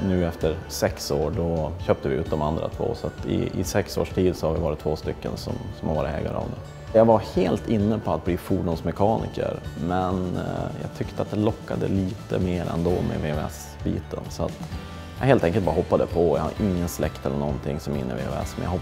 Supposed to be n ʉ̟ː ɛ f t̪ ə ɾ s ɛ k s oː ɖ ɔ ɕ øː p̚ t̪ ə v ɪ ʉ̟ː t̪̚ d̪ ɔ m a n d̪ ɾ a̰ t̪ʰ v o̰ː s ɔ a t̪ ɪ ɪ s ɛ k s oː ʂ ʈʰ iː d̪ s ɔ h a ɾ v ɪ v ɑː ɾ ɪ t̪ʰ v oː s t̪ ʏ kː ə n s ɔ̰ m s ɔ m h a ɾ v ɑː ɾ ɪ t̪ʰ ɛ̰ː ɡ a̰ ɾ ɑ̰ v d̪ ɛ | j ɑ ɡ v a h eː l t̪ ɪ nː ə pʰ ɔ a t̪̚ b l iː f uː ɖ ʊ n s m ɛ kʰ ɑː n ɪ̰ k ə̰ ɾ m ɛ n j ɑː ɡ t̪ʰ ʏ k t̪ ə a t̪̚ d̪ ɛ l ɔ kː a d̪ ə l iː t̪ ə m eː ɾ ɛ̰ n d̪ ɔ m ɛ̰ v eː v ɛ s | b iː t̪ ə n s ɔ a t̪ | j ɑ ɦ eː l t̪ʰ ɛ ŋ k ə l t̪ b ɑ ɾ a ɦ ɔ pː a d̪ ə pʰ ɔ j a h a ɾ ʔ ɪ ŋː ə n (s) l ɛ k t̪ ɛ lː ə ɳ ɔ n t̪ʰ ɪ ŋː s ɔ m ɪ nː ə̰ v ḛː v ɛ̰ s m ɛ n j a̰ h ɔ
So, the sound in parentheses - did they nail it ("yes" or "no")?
yes